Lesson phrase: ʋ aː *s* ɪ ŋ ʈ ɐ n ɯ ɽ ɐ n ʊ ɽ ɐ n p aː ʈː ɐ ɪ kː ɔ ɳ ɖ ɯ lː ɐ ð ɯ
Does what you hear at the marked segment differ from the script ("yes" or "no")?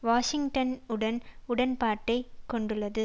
yes